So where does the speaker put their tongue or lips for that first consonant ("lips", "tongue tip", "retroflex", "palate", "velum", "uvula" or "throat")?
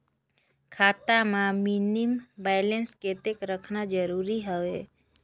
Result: velum